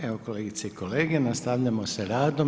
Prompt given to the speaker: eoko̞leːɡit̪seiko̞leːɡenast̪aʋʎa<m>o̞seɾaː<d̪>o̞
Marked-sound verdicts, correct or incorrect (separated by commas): correct, correct